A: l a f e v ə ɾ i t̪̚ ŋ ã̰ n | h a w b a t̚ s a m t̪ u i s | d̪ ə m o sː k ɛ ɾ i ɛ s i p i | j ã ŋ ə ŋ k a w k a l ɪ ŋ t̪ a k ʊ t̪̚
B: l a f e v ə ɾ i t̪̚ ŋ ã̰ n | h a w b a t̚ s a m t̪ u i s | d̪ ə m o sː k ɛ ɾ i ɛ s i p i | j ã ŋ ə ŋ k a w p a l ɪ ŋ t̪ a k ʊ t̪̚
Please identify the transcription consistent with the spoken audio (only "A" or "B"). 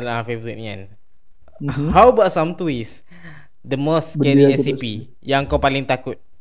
B